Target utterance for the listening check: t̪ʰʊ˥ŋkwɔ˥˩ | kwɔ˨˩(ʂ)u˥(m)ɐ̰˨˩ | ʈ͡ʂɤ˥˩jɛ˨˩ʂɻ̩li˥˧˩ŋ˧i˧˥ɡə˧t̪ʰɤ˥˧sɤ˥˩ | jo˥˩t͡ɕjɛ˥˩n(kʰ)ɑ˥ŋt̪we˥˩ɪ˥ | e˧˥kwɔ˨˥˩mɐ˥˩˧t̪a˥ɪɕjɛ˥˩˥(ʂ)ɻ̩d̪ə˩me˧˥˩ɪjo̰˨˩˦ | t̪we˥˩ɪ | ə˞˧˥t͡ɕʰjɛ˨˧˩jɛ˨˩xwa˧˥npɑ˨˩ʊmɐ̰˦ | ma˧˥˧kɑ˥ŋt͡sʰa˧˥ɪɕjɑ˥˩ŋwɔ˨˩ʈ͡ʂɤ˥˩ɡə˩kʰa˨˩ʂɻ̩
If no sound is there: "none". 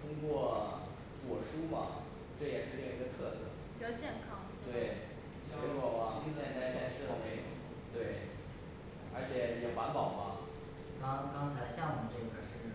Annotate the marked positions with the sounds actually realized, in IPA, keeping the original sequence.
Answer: ʂ, m, kʰ, ʂ

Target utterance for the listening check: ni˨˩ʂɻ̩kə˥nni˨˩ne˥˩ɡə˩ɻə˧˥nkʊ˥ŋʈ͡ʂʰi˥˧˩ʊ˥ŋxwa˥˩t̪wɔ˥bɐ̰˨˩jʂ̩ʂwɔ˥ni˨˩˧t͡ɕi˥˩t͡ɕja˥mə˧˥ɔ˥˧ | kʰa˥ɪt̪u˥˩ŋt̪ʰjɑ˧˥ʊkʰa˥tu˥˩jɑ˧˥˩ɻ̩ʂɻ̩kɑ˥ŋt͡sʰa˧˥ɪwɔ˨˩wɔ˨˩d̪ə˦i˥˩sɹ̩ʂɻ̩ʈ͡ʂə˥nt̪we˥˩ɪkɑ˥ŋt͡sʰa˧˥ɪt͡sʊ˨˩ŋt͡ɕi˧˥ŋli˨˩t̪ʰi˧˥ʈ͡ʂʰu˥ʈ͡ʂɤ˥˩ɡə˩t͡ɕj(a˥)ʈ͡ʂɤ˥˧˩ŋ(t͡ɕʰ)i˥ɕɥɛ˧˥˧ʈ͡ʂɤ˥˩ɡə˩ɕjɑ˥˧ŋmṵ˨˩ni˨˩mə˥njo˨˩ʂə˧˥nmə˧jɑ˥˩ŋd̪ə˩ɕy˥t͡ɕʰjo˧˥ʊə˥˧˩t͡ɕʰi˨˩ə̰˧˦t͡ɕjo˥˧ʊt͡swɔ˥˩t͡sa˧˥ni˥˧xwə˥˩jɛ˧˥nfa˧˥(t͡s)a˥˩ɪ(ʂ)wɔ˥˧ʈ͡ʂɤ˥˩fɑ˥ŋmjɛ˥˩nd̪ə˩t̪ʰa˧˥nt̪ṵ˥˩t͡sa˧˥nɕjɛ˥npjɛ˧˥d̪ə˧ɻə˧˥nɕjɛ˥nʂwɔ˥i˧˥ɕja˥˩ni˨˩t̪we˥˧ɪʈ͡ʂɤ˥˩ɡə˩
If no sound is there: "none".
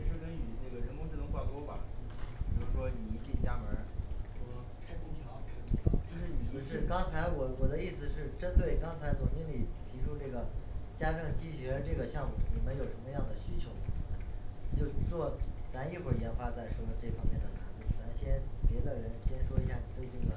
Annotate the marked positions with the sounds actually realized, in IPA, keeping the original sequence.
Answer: a˥, t͡ɕ, t͡s, ʂ

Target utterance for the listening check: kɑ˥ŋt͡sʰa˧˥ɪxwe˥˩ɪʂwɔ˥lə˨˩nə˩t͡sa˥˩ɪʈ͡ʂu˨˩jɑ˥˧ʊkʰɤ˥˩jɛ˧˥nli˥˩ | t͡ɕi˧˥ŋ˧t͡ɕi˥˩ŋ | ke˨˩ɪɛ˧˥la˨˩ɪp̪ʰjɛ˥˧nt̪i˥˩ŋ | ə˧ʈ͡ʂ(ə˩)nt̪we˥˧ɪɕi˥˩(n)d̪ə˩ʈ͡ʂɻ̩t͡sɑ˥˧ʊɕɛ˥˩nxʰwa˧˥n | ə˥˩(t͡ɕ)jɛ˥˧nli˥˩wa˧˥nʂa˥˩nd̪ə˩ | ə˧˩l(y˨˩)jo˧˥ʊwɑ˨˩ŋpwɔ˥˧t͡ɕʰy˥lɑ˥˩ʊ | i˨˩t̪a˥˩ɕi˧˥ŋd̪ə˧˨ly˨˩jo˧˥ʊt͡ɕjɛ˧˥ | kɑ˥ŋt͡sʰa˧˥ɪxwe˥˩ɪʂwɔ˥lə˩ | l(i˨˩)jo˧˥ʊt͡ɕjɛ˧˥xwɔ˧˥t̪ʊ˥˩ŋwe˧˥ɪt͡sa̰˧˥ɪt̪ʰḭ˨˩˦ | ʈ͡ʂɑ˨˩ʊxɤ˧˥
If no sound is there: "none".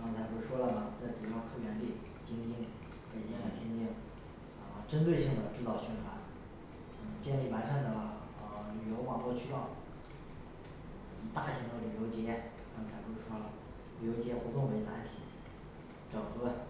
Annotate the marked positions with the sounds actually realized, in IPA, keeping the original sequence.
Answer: ə˥, ŋ, t͡ɕ, y˨˩, y˨˩

